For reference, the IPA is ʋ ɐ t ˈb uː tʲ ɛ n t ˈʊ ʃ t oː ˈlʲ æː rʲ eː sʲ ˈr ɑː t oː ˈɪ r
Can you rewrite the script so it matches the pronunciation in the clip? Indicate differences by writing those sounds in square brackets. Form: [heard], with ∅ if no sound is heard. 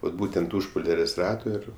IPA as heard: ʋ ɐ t ˈb uː tʲ ɛ n t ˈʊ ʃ [p] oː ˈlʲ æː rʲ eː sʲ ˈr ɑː t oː ˈɪ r